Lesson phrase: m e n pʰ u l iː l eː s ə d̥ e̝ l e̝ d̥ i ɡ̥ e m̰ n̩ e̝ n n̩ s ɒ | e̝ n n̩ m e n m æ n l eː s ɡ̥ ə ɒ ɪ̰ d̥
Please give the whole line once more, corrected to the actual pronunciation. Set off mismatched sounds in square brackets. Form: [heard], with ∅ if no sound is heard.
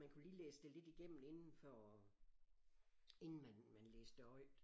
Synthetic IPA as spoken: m [æ] n [kʰ] u l iː l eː s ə d̥ e̝ l e̝ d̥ i ɡ̥ e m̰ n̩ e̝ n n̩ [f] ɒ | e̝ n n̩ m [æ] n m æ n l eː s [d̥] ə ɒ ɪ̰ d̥